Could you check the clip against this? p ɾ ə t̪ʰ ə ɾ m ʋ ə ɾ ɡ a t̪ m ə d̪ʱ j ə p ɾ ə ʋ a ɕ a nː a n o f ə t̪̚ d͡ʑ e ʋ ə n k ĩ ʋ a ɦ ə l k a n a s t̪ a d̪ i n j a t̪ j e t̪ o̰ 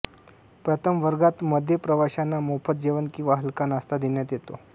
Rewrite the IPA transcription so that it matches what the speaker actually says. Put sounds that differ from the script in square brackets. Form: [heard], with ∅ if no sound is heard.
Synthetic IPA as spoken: p ɾ ə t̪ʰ ə [∅] m ʋ ə ɾ ɡ a t̪ m ə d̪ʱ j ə p ɾ ə ʋ a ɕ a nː a [m] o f ə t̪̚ d͡ʑ e ʋ ə n k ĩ ʋ a ɦ ə l k a n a s t̪ a d̪ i n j a t̪ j e t̪ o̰